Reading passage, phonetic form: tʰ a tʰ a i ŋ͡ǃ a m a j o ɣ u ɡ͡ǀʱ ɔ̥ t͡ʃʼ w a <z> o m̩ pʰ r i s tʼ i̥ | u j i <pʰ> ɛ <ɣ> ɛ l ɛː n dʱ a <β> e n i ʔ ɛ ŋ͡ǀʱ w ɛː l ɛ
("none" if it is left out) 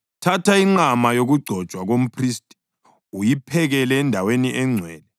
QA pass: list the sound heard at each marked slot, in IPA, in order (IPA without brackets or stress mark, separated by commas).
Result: ɣ, pʰ, ɣ, w